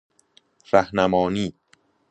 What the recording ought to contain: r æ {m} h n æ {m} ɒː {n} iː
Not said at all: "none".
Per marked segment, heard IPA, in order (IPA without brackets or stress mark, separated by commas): none, m, n